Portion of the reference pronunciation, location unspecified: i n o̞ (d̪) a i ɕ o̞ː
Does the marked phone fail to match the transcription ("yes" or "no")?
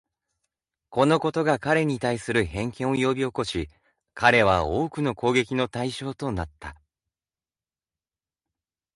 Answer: yes